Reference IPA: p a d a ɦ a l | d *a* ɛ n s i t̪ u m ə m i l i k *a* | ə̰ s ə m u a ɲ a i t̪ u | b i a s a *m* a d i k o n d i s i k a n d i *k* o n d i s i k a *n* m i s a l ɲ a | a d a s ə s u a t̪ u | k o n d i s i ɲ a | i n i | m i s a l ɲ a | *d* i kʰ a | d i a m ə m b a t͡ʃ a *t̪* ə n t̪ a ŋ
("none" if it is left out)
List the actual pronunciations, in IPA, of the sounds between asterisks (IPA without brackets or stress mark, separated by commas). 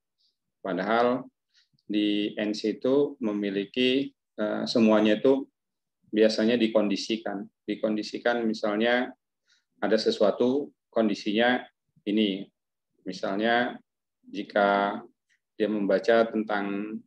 i, i, ɲ, k, n, d͡ʒ, t̪